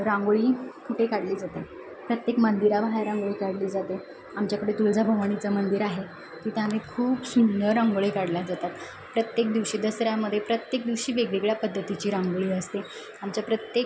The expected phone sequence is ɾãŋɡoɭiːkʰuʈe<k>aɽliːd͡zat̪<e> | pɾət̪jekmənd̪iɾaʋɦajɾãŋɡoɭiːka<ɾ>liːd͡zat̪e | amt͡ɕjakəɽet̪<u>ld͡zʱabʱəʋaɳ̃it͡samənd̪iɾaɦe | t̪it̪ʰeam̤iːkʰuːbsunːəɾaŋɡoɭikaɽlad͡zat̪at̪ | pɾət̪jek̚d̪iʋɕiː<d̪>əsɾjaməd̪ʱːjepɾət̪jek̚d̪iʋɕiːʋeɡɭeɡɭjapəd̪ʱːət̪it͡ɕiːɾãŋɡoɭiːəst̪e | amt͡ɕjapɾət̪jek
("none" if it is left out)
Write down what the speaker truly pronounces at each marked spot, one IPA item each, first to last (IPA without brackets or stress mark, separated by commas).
k, e, ɽ, u, d̪